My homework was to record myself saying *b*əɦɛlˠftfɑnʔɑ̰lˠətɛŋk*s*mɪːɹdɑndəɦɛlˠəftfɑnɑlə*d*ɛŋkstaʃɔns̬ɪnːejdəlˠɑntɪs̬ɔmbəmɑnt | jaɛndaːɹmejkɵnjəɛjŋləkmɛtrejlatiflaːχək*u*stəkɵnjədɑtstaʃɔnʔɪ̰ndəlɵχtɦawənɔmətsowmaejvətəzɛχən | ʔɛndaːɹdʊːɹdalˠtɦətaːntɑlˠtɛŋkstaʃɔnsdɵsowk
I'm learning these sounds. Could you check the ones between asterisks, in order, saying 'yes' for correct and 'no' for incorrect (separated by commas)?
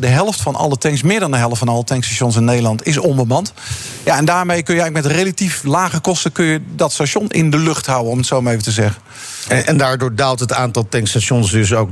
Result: no, yes, no, no